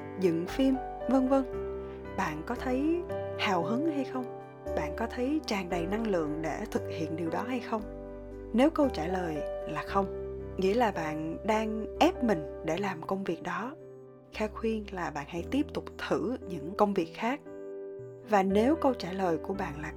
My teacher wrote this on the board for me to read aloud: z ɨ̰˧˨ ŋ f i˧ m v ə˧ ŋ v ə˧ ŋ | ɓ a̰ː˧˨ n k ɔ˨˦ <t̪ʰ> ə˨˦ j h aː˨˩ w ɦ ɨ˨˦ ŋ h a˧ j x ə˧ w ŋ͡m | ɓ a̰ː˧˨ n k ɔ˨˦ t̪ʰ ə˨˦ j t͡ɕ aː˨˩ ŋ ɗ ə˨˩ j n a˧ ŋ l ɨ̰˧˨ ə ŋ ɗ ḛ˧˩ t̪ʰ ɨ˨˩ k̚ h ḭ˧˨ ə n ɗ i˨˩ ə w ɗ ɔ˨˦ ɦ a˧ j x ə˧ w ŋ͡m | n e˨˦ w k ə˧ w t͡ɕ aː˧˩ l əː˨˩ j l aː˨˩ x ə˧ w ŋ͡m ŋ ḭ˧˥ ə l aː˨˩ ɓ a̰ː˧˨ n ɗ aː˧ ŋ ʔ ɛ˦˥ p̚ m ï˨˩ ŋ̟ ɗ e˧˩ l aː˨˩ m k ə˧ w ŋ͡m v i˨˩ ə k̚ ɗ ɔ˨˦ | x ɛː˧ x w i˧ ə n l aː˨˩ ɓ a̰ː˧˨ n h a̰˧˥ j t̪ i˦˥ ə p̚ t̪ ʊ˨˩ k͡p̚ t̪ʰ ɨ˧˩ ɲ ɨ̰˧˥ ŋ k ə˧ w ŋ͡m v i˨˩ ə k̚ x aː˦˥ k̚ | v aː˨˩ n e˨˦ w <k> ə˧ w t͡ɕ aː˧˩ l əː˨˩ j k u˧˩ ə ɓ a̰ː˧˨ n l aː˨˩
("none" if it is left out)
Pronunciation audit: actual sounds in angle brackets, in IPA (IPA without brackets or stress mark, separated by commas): t̪ʰ, k